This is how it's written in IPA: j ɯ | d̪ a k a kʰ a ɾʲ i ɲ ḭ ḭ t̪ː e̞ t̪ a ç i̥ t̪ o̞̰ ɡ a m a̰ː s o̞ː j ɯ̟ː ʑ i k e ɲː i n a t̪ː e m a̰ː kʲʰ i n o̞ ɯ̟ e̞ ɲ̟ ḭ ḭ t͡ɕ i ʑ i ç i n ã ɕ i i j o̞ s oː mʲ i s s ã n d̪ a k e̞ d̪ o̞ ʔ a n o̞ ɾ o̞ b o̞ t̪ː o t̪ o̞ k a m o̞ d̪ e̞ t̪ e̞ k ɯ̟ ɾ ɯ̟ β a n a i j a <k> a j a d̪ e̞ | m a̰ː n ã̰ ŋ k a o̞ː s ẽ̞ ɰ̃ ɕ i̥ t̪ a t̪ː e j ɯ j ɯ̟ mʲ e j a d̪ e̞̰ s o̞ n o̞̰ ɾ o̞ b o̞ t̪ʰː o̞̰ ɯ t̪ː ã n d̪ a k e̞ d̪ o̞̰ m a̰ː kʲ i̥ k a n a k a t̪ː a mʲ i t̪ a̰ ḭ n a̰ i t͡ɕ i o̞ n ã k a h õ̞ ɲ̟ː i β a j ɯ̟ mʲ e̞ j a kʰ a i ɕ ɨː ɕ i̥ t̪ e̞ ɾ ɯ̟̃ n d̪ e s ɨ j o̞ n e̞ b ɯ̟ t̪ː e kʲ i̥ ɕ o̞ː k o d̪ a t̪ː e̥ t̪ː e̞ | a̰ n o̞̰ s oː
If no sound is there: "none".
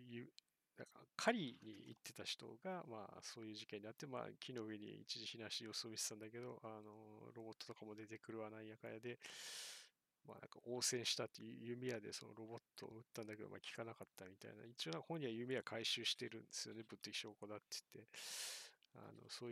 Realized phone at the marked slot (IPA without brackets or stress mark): k